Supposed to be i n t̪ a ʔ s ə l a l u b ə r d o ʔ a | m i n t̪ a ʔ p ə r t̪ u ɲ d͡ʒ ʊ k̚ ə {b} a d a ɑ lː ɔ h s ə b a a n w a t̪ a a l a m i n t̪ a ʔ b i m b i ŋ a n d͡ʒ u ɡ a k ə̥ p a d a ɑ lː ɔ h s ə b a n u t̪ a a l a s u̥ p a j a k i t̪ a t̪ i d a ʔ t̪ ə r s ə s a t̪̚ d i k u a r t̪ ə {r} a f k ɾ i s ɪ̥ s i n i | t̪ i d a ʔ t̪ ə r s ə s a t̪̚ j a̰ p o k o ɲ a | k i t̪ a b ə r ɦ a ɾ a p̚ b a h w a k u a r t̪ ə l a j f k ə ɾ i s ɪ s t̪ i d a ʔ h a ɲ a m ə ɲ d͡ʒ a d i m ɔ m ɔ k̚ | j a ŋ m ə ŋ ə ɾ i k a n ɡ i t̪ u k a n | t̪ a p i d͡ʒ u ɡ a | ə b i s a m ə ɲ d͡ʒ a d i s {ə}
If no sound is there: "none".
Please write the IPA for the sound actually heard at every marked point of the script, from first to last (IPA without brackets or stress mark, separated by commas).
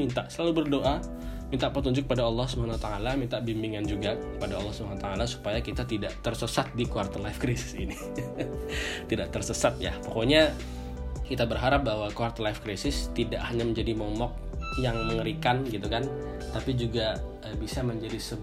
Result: p, l, ə